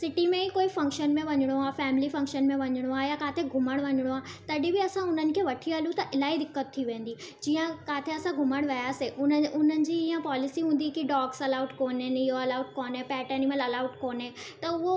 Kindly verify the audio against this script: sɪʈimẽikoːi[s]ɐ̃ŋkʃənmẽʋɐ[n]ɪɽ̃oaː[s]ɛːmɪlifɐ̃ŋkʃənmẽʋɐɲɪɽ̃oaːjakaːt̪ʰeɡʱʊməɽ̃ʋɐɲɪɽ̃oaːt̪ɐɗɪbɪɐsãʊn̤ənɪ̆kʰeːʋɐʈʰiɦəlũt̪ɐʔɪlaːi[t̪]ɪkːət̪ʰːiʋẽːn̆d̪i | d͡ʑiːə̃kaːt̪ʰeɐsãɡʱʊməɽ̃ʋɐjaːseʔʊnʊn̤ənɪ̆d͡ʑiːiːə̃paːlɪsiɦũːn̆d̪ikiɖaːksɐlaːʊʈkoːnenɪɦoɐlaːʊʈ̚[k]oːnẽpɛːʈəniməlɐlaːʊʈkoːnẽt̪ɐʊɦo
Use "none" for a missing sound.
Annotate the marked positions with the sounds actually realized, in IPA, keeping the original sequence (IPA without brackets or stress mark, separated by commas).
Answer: f, ɲ, f, d̪, k